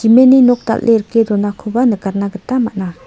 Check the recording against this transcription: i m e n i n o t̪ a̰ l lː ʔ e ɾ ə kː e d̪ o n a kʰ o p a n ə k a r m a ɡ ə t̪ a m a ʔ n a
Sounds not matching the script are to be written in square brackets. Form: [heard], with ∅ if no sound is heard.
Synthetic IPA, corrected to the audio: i m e n i n o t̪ a̰ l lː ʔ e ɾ ə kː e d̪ o n a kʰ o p a n ə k a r [n] a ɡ ə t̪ a m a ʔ n a